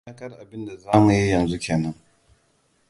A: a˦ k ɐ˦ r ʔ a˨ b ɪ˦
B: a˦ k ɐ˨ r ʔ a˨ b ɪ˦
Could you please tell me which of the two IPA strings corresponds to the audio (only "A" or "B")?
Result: A